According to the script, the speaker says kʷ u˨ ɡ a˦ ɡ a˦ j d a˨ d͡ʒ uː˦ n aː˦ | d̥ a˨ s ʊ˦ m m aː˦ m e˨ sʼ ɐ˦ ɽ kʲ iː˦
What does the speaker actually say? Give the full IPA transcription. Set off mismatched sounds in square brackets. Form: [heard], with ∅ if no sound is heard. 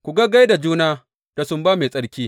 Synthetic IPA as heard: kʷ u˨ ɡ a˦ ɡ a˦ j d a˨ d͡ʒ uː˦ n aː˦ | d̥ a˨ s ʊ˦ m [b] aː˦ m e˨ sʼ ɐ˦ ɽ kʲ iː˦

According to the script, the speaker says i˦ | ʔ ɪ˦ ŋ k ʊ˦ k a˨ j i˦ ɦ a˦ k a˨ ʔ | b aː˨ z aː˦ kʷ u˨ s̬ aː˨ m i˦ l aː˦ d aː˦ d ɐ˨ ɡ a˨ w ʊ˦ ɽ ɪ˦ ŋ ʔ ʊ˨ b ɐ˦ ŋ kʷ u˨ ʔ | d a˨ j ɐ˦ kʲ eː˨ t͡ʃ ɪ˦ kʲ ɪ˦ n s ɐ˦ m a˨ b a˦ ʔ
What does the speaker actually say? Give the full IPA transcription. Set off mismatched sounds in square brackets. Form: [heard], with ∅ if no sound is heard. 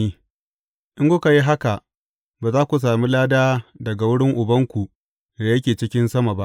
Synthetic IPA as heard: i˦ | ʔ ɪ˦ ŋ k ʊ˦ k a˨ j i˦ ɦ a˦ k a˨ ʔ | b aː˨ z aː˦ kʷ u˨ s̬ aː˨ m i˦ l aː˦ d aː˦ d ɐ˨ ɡ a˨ w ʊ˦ ɽ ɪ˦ ŋ ʔ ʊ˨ b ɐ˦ ŋ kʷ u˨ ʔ | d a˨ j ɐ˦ kʲ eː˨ t͡ʃ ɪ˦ kʲ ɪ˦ n s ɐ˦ m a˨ b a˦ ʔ

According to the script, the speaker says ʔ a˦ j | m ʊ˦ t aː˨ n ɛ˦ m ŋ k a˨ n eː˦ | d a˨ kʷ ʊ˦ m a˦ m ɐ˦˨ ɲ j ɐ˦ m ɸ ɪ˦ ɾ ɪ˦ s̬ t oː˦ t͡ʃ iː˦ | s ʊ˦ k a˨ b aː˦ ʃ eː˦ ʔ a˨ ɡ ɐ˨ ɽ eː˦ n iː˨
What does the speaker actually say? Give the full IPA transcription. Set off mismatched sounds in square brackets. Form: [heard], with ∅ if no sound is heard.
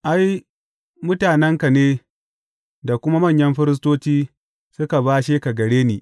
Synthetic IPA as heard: ʔ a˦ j | m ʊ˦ t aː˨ n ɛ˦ [∅] ŋ k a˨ n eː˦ | d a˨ kʷ ʊ˦ m a˦ m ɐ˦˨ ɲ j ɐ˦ m ɸ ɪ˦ ɾ ɪ˦ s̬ t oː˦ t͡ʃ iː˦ | s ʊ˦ k a˨ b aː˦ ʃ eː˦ [k] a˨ ɡ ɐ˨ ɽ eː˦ n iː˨

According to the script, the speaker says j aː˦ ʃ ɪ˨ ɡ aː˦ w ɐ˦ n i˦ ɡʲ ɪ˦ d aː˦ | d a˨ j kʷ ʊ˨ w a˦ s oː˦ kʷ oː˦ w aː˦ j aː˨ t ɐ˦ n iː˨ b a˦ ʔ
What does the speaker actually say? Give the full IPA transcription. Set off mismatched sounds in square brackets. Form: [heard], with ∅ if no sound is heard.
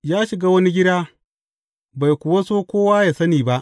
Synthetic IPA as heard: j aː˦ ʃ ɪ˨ ɡ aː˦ w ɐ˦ n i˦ ɡʲ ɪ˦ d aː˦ | [b] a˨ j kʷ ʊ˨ w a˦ s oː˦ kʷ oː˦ w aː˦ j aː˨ [s] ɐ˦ n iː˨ b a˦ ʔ

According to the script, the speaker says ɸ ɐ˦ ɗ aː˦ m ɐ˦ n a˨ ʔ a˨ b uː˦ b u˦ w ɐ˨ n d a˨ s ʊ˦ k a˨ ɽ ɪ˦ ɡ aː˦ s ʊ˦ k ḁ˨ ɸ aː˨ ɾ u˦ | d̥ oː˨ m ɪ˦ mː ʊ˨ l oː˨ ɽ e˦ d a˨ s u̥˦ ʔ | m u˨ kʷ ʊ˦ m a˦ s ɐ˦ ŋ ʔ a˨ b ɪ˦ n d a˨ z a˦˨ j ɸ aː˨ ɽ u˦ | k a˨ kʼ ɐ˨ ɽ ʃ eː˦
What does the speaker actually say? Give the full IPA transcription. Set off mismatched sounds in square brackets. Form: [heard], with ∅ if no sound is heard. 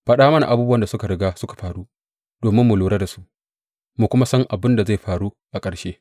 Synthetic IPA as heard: ɸ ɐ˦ ɗ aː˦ m ɐ˦ n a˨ ʔ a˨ b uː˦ b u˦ w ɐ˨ n d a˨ s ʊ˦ k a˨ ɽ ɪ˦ ɡ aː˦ s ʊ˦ k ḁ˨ ɸ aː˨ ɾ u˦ | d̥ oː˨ m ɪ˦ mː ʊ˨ l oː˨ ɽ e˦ d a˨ s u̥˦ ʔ | m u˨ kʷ ʊ˦ m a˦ s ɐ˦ ŋ ʔ a˨ b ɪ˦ n d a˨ z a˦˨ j ɸ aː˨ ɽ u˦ | [ʔ] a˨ kʼ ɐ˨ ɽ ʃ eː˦

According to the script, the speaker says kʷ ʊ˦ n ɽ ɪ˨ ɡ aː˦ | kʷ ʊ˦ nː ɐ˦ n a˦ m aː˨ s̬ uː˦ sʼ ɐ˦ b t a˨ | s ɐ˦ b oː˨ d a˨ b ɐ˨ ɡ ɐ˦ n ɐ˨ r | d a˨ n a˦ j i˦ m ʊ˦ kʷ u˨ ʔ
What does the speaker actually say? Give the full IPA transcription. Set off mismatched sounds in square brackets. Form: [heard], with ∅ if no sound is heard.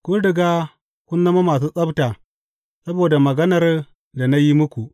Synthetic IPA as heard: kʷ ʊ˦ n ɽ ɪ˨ ɡ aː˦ | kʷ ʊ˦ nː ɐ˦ [m] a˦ m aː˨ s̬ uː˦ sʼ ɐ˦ b t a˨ | s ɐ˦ b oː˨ d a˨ [m] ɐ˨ ɡ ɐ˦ n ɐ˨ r | d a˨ n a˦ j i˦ m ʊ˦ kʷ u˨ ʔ

